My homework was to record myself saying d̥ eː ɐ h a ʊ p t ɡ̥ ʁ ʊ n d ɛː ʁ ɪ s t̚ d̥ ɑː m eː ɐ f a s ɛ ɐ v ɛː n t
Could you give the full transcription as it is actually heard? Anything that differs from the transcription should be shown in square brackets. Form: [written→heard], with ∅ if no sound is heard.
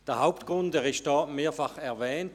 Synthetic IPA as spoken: d̥ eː ɐ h a ʊ p t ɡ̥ ʁ ʊ n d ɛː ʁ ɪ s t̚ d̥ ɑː m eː ɐ f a [s→χ] ɛ ɐ v ɛː n t